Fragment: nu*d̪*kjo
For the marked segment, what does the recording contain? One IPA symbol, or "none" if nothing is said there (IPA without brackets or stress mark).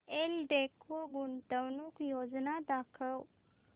none